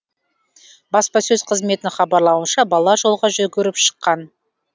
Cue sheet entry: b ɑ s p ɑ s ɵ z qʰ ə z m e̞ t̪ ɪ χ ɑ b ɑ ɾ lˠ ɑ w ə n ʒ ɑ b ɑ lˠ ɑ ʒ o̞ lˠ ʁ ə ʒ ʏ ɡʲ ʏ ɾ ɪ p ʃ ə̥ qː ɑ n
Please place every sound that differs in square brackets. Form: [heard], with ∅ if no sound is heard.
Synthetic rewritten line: b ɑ s p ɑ s ɵ z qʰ ə z m e̞ t̪ ɪ χ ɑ b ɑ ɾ lˠ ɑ w ə n [ʃ] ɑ b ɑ lˠ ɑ ʒ o̞ lˠ ʁ [ɑ] ʒ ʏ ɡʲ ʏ ɾ ɪ p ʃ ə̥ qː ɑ n